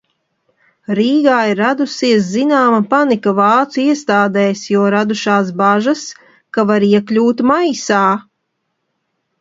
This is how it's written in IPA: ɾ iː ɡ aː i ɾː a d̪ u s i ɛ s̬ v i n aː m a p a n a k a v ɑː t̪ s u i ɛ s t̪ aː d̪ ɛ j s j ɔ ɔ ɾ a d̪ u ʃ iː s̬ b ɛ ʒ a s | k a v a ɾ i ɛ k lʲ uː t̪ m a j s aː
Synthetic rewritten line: ɾ iː ɡ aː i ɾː a d̪ u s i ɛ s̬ z i n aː m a p a n i k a v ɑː t̪ s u i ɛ s t̪ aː d̪ ɛ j s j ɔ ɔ ɾ a d̪ u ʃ aː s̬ b a ʒ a s | k a v a ɾ i ɛ k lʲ uː t̪ m a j s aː